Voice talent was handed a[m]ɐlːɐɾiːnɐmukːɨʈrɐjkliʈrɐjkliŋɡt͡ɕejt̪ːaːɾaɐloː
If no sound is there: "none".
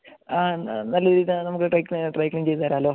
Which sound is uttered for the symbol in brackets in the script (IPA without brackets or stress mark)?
n